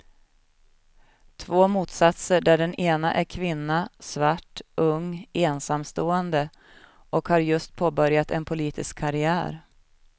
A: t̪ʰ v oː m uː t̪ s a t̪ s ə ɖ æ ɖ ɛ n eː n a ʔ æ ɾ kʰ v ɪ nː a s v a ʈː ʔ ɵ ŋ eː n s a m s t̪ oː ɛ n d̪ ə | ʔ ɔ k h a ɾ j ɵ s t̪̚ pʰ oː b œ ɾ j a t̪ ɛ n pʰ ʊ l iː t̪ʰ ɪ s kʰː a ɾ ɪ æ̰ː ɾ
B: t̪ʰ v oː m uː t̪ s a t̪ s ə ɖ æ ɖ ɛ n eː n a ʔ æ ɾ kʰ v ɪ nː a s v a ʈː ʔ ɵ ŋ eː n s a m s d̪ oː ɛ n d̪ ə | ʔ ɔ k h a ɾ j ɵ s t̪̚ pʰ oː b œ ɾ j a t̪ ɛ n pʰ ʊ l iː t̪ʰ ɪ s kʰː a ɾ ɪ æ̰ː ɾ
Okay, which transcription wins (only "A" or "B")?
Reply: A